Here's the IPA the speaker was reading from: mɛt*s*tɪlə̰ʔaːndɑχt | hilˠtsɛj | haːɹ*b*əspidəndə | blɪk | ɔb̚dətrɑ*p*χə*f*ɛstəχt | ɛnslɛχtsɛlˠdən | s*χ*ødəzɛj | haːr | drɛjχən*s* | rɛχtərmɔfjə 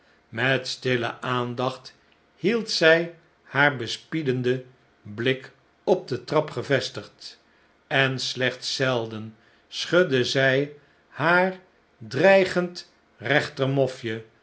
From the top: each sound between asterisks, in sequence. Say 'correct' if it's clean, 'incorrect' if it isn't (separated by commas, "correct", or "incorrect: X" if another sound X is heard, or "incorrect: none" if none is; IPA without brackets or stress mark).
correct, correct, correct, incorrect: v, correct, incorrect: t